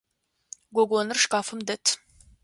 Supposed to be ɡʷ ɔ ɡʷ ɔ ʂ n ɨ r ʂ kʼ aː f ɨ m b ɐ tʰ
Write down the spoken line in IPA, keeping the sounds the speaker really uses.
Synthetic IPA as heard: ɡʷ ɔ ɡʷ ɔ n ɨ r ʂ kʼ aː f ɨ m d ɐ tʰ